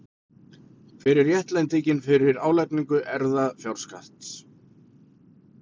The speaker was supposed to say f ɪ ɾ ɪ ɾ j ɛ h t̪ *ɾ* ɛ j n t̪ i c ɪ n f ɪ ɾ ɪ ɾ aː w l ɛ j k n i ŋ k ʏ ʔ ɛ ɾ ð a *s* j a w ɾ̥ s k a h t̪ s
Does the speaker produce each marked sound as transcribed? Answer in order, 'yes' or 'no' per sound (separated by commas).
no, no